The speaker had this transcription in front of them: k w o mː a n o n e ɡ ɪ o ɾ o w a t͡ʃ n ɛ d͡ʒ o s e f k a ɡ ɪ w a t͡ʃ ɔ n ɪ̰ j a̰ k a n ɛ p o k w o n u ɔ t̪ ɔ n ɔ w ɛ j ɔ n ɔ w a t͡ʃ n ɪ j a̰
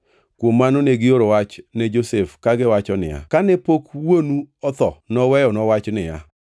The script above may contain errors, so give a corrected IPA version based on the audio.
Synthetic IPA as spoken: k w o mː a n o n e ɡ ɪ o ɾ o w a t͡ʃ n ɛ d͡ʒ o s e f k a ɡ ɪ w a t͡ʃ ɔ n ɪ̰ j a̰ k a n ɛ p o k w o n u ɔ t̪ ɔ n ɔ w ɛ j ɔ n ɔ w a t͡ʃ n ɪ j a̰